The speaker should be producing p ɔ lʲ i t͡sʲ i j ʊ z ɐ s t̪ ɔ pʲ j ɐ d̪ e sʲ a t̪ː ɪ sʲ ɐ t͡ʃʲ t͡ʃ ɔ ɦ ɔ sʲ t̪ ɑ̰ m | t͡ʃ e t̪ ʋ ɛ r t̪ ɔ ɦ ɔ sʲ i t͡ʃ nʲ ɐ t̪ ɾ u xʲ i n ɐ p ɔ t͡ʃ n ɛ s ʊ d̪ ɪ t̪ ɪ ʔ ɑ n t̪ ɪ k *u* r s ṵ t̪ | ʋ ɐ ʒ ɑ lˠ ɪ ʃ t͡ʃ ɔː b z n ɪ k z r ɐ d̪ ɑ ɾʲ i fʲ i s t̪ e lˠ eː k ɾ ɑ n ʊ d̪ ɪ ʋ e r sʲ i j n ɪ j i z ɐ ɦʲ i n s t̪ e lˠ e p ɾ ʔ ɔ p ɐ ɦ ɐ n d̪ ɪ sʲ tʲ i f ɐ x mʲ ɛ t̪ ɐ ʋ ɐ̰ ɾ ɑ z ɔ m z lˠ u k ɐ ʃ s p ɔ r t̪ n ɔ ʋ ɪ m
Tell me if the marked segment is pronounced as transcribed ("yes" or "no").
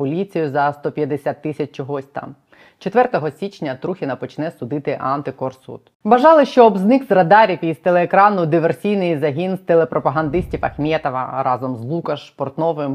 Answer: no